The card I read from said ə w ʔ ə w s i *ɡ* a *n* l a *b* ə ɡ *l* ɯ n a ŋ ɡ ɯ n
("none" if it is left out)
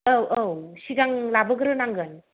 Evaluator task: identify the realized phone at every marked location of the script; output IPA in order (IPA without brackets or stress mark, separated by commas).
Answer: ɡ, ŋ, b, ɾ